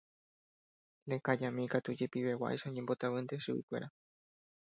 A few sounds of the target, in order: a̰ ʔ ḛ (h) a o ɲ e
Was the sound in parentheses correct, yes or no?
no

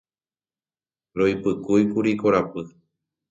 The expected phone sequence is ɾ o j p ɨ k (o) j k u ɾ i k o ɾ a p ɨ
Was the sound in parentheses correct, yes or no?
no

